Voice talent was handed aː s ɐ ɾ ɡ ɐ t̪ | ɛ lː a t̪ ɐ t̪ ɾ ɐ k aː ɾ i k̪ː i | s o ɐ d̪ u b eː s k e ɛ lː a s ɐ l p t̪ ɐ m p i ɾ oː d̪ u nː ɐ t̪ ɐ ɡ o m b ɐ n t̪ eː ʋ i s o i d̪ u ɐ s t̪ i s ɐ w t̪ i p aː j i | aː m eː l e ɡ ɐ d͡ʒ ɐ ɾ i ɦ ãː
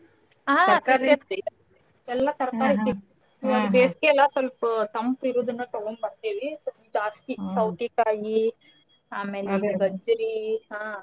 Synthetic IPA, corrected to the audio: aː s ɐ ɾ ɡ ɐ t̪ | ɛ lː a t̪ ɐ ɾ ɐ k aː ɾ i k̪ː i | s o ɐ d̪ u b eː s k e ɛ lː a s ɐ l p t̪ ɐ m p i ɾ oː d̪ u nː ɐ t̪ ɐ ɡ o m b ɐ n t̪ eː ʋ i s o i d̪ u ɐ s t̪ i s ɐ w t̪ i k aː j i | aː m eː l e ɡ ɐ d͡ʒ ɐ ɾ i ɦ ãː